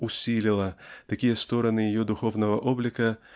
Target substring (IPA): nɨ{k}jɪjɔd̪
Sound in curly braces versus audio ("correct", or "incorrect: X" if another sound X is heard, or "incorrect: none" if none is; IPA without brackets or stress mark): incorrect: none